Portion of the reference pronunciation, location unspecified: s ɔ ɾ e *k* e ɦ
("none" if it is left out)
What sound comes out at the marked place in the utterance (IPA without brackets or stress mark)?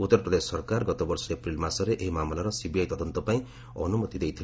ʔ